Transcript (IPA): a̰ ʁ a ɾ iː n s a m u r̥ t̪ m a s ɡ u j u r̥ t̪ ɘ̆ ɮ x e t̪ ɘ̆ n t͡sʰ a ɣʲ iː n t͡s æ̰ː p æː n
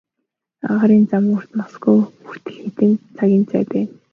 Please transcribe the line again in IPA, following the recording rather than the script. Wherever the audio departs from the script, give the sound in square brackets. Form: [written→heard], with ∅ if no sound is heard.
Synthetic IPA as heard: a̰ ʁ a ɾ iː n [s→t͡s] a m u r̥ t̪ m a s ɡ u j u r̥ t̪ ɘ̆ ɮ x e t̪ ɘ̆ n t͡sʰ a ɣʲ iː n t͡s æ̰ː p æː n